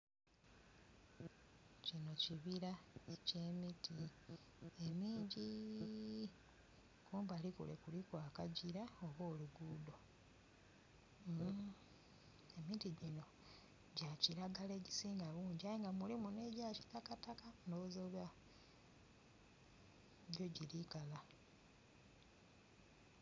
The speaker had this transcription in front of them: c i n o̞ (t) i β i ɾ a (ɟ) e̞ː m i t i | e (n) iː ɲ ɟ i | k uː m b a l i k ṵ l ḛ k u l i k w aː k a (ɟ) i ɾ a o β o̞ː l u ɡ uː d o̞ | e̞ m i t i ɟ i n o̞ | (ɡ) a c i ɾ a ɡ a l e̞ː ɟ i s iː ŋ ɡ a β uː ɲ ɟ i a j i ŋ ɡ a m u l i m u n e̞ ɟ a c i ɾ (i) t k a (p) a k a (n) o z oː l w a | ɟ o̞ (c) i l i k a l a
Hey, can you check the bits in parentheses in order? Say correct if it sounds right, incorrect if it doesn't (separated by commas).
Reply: incorrect, incorrect, incorrect, correct, incorrect, incorrect, incorrect, correct, incorrect